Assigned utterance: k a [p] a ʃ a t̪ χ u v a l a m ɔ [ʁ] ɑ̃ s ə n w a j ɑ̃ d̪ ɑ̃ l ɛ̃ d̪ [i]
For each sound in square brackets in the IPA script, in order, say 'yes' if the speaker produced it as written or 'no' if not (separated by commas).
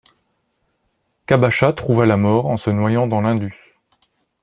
no, yes, no